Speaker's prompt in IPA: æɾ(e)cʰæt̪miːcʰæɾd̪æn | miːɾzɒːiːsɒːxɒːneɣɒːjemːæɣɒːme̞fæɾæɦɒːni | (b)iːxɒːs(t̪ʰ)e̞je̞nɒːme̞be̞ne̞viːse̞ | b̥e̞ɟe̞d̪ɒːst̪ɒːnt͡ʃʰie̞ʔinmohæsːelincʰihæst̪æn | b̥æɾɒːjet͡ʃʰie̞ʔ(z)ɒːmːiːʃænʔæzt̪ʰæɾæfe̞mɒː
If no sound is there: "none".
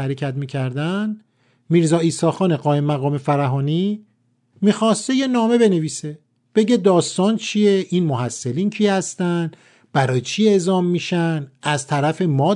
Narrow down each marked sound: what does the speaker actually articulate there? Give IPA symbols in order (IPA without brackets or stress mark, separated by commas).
e, m, t̪, z